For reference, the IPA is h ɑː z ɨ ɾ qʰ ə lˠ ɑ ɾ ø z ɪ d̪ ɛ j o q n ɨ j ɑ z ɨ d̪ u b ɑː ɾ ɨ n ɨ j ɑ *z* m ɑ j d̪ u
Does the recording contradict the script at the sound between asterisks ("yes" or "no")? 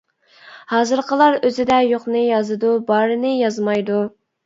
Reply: no